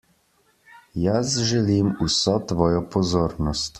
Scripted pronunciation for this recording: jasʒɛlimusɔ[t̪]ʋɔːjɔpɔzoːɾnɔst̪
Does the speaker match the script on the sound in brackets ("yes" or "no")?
yes